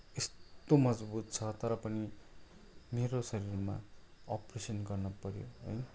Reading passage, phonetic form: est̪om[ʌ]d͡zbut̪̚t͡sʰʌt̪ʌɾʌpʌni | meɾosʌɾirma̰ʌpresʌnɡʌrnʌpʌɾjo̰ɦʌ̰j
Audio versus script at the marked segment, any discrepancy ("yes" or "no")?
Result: no